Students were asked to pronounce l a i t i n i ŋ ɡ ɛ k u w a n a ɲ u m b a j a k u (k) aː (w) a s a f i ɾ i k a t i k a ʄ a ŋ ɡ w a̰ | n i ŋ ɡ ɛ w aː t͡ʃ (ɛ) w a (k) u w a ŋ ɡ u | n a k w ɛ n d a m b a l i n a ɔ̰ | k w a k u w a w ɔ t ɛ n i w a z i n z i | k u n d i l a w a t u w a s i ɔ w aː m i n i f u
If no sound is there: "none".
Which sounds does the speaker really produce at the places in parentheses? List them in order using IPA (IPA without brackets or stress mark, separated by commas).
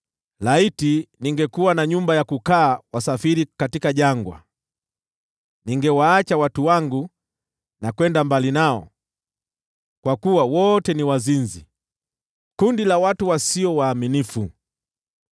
k, w, a, t